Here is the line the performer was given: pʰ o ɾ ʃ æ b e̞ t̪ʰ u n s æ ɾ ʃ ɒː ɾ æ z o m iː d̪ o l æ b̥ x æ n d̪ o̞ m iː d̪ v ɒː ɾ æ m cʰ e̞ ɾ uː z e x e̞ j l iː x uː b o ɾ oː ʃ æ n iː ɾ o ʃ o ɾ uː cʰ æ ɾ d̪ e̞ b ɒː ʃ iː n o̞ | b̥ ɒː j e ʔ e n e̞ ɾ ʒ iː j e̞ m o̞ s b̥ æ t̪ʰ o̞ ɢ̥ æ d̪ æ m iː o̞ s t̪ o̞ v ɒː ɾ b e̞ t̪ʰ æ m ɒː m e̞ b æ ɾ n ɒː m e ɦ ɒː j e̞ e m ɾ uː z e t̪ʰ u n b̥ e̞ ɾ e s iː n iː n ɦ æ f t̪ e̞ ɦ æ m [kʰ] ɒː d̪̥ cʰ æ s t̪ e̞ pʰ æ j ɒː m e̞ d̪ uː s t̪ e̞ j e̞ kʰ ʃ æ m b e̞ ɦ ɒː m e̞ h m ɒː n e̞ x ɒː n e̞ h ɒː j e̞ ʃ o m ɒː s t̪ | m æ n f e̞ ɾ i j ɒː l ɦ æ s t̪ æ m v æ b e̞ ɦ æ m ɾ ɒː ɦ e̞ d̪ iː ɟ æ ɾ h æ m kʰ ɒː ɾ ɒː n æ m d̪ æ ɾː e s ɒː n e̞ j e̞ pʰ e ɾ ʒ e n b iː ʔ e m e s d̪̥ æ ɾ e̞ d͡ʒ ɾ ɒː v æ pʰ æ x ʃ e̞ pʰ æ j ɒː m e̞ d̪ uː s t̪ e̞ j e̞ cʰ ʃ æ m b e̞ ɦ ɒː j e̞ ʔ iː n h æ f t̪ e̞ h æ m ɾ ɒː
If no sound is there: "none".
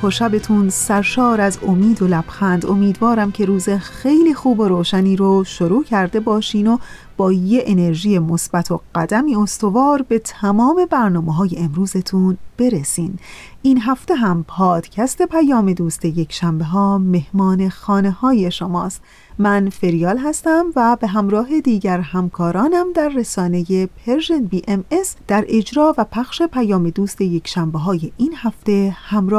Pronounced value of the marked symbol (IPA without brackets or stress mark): pʰ